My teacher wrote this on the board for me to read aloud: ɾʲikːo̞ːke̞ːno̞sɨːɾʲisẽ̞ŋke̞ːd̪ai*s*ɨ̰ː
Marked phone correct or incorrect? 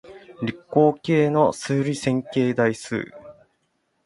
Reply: correct